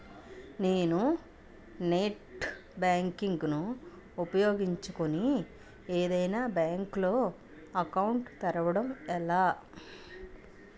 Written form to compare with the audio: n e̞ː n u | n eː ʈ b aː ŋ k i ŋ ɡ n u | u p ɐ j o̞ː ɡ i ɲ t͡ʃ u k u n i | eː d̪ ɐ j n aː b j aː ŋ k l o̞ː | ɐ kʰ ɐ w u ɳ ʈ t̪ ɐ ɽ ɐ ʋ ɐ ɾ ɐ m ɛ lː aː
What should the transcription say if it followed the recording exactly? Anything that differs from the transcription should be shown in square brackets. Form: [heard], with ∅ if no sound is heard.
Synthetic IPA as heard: n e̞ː n u | n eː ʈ b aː ŋ k i ŋ ɡ n u | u p ɐ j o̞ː ɡ i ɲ t͡ʃ u k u n i | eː d̪ ɐ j n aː b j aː ŋ k l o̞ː | ɐ [k] ɐ w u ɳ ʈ t̪ ɐ [ɾ] ɐ ʋ ɐ [ɽ] ɐ m ɛ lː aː

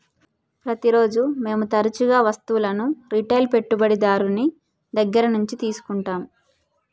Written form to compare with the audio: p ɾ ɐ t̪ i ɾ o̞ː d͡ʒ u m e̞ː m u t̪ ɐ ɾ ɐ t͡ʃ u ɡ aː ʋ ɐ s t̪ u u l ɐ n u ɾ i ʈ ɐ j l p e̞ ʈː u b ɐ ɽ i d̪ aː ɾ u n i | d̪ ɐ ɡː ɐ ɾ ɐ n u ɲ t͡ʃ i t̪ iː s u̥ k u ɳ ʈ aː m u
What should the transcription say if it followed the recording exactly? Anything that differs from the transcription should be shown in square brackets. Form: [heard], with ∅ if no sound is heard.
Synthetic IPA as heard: p ɾ ɐ t̪ i ɾ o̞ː d͡ʒ u m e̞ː m u t̪ ɐ ɾ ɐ t͡ʃ u ɡ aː ʋ ɐ s t̪ u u l ɐ n u ɾ i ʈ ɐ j l p e̞ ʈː u b ɐ ɽ i d̪ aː ɾ u n i | d̪ ɐ ɡː ɐ ɾ ɐ n u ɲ t͡ʃ i t̪ iː s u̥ k u ɳ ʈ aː m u

